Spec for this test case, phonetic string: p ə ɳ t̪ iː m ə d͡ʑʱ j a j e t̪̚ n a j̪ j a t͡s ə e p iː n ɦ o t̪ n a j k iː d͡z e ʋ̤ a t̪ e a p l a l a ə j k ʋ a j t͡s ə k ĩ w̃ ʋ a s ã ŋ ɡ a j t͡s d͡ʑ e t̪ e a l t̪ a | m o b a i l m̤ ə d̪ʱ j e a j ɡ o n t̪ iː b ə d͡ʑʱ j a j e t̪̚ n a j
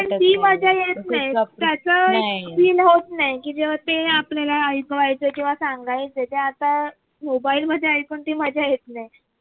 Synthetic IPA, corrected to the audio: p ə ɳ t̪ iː m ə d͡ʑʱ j a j e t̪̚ n a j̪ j a t͡s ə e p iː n ɦ o t̪ n a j k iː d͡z e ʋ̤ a t̪ e a p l a l a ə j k ʋ a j t͡s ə k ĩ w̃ ʋ a s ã ŋ ɡ a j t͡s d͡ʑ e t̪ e a t̪ a | m o b a i l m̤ ə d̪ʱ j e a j k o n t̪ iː m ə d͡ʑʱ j a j e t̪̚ n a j